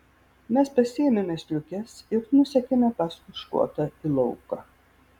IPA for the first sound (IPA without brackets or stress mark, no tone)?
mʲ